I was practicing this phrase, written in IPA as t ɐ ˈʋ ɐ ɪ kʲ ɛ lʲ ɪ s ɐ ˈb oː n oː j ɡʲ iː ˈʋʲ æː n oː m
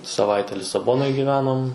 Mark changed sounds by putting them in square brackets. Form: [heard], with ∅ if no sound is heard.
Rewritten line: [s] ɐ ˈʋ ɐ ɪ [tʲ] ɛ lʲ ɪ s ɐ ˈb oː n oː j ɡʲ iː ˈʋʲ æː n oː m